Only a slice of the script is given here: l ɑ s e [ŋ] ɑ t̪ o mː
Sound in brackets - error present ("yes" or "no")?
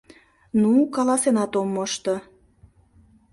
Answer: yes